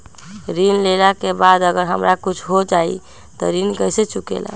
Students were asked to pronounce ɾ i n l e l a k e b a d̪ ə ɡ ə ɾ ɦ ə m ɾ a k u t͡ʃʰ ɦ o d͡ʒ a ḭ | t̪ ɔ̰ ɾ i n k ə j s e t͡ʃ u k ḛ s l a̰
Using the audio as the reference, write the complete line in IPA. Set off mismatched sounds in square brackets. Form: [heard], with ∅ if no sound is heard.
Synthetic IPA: ɾ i n l e l a k e b a d̪ ə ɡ ə ɾ ɦ ə m ɾ a k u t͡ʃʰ ɦ o d͡ʒ a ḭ | t̪ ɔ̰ ɾ i n k ə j s e t͡ʃ u k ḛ [∅] l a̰